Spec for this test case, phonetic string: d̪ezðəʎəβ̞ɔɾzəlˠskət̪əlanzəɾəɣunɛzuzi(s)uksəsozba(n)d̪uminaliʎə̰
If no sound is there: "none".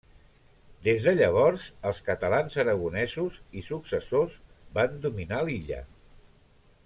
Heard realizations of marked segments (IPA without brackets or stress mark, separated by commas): s, n